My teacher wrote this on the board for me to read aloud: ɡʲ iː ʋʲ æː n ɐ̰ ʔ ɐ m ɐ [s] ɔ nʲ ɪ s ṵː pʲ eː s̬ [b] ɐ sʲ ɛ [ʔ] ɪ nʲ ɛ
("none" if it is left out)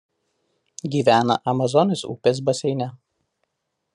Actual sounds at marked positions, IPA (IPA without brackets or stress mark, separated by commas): z, b, none